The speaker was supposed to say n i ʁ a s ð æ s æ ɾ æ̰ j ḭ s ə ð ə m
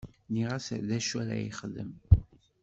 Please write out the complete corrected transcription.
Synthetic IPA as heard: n i ʁ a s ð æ ʃ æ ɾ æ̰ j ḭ χ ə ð ə m